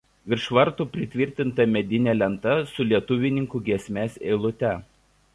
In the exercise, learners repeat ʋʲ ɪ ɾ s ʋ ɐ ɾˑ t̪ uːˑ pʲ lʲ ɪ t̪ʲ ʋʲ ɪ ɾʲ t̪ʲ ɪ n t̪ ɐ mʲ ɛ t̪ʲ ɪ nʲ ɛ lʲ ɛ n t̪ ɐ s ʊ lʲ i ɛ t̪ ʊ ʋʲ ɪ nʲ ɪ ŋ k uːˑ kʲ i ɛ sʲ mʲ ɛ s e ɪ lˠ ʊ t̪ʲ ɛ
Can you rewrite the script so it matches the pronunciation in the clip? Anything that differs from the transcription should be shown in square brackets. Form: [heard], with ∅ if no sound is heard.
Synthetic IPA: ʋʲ ɪ ɾ [ʃ] ʋ ɐ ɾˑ t̪ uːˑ pʲ [ɾʲ] ɪ t̪ʲ ʋʲ ɪ ɾʲ t̪ʲ ɪ n t̪ ɐ mʲ ɛ [d̪ʲ] ɪ nʲ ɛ lʲ ɛ n t̪ ɐ s ʊ lʲ i ɛ t̪ ʊ ʋʲ ɪ nʲ ɪ ŋ k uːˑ [ɡʲ] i ɛ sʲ mʲ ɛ s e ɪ lˠ ʊ t̪ʲ ɛ

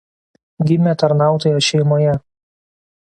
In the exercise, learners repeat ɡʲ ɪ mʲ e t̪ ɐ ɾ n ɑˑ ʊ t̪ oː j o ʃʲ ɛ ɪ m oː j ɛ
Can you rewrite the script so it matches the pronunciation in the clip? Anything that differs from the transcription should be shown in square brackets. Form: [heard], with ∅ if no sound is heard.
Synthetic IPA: ɡʲ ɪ mʲ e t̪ ɐ ɾ n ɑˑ ʊ t̪ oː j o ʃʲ ɛ ɪ m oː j ɛ

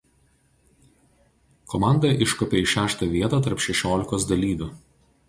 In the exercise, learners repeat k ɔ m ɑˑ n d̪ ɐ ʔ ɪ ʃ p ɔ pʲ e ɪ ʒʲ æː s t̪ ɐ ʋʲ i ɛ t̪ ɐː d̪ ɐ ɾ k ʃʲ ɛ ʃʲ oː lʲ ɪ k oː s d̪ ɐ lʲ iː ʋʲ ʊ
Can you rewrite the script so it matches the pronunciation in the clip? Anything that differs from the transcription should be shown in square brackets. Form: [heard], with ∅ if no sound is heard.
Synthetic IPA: k ɔ m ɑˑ n d̪ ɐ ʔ ɪ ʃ [k] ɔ pʲ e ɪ [ʃʲ] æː [ʃ] t̪ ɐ ʋʲ i ɛ t̪ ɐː [t̪] ɐ ɾ [p] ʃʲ ɛ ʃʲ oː lʲ ɪ k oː s d̪ ɐ lʲ iː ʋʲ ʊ

